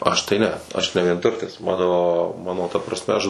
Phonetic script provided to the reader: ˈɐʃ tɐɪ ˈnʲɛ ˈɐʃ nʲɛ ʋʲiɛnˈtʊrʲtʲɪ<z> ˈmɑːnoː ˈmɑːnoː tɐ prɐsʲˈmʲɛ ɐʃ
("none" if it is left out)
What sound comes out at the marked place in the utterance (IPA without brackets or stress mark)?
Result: s